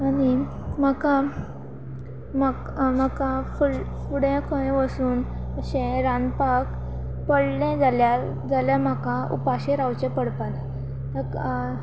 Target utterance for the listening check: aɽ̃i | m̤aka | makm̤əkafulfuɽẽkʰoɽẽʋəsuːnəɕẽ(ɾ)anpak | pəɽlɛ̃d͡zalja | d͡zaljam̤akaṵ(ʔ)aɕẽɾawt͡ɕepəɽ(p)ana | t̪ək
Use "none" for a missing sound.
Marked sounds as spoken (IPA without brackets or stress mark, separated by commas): ɾ, p, p